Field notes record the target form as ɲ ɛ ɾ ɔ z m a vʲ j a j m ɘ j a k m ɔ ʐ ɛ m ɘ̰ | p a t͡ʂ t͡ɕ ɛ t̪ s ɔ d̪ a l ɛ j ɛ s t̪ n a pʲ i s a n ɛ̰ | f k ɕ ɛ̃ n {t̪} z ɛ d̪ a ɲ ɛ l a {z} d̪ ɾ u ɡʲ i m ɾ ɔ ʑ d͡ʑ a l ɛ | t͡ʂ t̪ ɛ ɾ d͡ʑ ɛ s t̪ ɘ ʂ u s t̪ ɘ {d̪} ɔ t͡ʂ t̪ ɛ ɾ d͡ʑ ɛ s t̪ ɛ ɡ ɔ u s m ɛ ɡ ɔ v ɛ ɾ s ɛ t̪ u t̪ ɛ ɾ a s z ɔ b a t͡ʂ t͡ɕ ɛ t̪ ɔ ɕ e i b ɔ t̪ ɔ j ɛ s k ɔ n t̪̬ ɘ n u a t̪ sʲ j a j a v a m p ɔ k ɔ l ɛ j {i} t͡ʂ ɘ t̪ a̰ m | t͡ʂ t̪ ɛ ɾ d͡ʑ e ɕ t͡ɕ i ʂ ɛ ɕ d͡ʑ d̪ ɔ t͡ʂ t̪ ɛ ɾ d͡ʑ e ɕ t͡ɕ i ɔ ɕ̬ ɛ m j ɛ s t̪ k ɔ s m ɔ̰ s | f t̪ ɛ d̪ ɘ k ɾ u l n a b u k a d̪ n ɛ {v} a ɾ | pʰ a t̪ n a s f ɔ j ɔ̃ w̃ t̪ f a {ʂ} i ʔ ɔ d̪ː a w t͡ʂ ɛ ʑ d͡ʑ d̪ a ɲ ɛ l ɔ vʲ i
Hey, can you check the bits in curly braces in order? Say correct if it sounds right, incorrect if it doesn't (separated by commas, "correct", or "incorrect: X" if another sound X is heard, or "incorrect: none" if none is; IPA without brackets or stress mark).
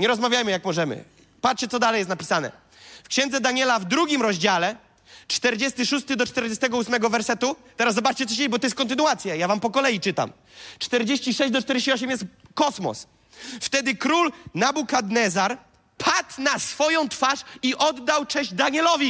incorrect: d̪, incorrect: v, correct, correct, incorrect: z, correct